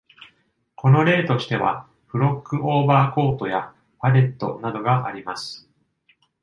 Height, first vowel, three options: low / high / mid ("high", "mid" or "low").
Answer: mid